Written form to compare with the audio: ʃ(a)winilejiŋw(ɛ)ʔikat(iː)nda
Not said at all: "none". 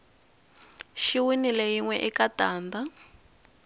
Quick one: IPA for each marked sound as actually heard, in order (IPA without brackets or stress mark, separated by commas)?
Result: i, ɛ, aː